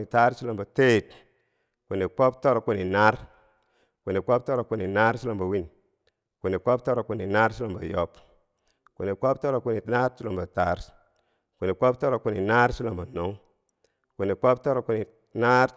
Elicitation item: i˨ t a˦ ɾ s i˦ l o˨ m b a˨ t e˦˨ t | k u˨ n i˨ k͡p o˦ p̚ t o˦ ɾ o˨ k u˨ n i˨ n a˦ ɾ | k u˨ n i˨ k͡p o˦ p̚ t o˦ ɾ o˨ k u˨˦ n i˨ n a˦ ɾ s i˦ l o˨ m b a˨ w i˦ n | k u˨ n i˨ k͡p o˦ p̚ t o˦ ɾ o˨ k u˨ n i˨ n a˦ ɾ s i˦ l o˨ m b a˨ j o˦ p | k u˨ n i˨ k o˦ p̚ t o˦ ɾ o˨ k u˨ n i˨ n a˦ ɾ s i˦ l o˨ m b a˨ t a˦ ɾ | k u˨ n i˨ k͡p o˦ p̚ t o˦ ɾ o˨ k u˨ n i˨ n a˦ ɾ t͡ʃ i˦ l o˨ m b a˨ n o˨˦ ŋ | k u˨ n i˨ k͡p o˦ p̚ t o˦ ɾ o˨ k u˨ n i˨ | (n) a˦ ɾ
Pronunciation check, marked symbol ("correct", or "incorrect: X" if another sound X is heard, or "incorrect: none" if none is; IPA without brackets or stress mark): correct